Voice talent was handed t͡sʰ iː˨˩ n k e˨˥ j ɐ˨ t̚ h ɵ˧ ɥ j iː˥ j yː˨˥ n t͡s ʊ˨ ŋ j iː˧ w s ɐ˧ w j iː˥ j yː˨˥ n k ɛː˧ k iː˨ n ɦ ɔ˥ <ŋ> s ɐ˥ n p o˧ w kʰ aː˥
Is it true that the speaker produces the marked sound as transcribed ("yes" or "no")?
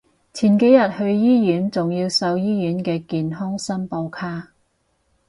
yes